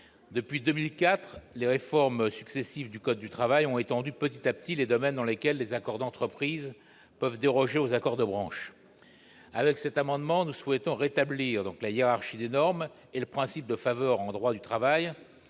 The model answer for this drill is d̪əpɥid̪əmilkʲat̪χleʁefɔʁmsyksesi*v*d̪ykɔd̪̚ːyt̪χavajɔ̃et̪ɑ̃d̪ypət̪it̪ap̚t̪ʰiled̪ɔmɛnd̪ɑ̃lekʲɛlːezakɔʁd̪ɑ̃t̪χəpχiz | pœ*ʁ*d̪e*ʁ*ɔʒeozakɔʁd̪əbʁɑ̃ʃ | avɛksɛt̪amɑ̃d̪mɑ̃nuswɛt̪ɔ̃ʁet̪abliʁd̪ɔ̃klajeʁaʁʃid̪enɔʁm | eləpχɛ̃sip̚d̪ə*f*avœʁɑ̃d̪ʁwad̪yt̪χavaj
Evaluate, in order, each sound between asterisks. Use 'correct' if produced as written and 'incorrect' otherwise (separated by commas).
correct, incorrect, correct, correct